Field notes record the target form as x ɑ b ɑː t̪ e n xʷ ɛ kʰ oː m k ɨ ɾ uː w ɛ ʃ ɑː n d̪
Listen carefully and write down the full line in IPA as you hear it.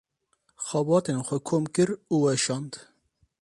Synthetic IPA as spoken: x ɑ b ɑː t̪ e n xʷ ɛ kʰ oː m k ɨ ɾ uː w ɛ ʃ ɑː n d̪